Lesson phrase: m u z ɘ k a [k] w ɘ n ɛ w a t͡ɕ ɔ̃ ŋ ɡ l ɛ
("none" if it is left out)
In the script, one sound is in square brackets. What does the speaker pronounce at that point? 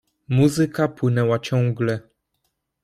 p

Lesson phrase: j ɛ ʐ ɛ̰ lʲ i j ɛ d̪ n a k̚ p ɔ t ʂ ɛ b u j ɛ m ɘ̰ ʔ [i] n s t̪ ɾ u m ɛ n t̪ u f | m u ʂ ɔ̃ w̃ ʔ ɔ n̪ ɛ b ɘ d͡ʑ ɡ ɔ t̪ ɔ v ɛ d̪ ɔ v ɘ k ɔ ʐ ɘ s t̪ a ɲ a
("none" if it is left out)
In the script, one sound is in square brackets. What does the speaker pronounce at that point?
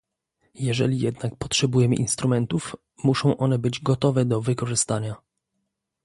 i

